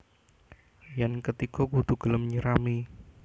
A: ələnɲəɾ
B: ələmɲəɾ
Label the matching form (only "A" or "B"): B